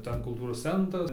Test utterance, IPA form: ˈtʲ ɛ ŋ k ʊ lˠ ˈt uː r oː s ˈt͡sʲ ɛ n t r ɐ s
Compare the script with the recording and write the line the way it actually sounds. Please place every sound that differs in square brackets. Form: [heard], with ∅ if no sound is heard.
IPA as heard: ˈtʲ ɛ [n] k ʊ lˠ ˈt uː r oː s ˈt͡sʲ ɛ n t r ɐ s